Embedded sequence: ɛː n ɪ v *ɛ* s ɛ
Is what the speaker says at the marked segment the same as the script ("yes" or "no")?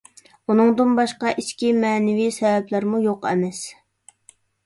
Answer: no